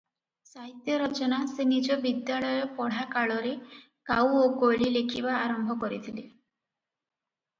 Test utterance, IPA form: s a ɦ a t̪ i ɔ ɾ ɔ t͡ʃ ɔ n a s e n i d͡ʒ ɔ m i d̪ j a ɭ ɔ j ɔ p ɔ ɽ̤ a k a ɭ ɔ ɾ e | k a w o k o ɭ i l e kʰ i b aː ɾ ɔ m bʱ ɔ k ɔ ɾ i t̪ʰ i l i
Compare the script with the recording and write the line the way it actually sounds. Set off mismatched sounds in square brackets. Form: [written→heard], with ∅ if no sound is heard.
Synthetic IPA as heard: s a ɦ [a→i] t̪ [i→j] ɔ ɾ ɔ t͡ʃ ɔ n a s e n i d͡ʒ ɔ [m→b] i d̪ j a ɭ ɔ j ɔ p ɔ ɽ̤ a k a ɭ ɔ ɾ e | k a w o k o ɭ i l e kʰ i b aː ɾ ɔ m bʱ ɔ k ɔ ɾ i t̪ʰ i l i